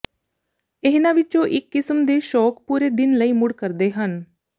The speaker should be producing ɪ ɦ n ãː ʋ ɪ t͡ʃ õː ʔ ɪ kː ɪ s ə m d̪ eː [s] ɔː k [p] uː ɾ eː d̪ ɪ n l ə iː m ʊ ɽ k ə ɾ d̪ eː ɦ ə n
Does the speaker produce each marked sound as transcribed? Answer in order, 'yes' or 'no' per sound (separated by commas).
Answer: no, yes